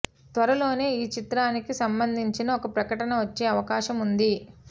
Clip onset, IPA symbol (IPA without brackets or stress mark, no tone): t̪